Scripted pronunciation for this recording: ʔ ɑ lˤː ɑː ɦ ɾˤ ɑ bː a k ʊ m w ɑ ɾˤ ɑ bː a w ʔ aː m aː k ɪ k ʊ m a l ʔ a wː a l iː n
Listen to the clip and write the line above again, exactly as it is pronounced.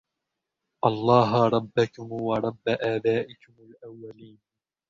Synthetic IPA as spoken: ʔ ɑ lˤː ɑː ɦ ɾˤ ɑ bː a k ʊ m w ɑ ɾˤ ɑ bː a ʔ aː b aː ʔ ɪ k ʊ m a l ʔ a wː a l iː n